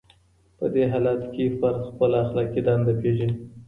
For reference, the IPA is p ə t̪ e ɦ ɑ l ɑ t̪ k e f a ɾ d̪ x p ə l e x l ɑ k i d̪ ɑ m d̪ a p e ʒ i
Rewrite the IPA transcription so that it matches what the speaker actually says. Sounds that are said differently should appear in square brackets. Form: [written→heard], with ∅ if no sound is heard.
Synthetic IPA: p ə [t̪→d̪] e ɦ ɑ l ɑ t̪ k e f a ɾ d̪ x p ə l [e→a] x l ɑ k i d̪ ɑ [m→n] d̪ a p e ʒ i